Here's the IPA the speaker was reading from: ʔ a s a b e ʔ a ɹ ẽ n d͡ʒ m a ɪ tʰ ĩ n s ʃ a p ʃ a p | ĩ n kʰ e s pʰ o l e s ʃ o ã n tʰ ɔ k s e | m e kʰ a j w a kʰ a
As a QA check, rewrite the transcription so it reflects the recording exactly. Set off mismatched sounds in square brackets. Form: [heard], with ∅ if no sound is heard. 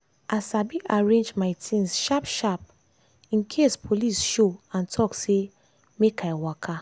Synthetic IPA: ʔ a s a b [i] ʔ a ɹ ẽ n d͡ʒ m a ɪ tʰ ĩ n s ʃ a p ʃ a p | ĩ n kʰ e s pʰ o l [i] s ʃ o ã n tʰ ɔ k s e | m e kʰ a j w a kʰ a